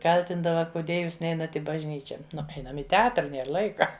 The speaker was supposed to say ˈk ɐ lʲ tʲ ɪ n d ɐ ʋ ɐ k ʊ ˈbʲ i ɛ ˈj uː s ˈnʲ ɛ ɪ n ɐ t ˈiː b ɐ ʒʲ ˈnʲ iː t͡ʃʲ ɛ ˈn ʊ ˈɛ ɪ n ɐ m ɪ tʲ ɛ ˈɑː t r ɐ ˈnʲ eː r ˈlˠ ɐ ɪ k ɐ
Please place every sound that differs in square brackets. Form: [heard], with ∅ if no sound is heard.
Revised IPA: ˈk ɐ lʲ tʲ ɪ n d ɐ ʋ ɐ k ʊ [ˈdʲ] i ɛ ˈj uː s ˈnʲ ɛ ɪ n ɐ t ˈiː b ɐ ʒʲ ˈnʲ iː t͡ʃʲ ɛ ˈn ʊ ˈɛ ɪ n ɐ m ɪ tʲ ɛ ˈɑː t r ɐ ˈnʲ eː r ˈlˠ ɐ ɪ k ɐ